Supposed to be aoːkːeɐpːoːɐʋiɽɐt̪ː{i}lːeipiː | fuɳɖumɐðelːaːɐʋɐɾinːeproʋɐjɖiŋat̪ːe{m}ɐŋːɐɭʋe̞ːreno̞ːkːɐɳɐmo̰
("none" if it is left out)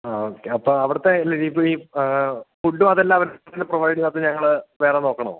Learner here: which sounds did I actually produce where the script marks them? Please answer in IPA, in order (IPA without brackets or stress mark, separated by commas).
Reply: e, ɲ